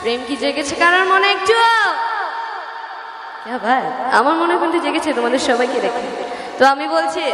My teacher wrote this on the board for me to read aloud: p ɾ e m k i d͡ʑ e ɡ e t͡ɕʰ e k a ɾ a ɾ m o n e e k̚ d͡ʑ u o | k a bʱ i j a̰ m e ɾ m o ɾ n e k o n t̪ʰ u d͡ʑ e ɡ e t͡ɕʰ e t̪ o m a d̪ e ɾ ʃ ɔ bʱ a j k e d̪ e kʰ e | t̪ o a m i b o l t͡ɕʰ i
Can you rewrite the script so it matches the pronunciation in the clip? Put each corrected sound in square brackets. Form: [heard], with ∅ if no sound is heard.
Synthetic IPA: p ɾ e m k i d͡ʑ e ɡ e t͡ɕʰ e k a ɾ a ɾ m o n e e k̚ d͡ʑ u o | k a bʱ [a] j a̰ m [a] ɾ m o [∅] n e k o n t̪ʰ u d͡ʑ e ɡ e t͡ɕʰ e t̪ o m a d̪ e ɾ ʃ ɔ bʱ a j k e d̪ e kʰ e | t̪ o a m i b o l t͡ɕʰ i